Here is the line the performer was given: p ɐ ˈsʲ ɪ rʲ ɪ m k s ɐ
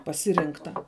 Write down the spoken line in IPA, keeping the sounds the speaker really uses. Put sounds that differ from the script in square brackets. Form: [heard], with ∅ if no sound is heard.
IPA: p ɐ ˈsʲ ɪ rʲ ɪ [ŋ] k [t] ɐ